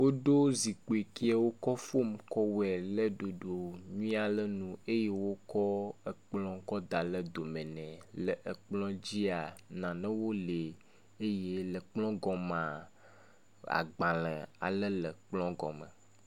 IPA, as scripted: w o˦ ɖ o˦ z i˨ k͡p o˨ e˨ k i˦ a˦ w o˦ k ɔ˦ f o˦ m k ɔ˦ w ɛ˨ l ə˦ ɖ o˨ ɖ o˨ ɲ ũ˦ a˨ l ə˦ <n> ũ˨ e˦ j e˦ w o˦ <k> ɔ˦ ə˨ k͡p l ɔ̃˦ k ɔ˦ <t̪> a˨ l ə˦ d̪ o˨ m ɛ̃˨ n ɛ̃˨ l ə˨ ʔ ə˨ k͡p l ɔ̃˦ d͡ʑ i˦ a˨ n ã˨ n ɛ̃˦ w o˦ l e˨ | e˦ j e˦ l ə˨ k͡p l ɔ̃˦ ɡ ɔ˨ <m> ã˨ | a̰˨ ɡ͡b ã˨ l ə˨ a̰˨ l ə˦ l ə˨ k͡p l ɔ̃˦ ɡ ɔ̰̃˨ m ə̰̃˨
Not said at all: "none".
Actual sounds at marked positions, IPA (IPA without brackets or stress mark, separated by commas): n, k, d̪, m